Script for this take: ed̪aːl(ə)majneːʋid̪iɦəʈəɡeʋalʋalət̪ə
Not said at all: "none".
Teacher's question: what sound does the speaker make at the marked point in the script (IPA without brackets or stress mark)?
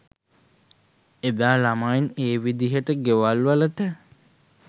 a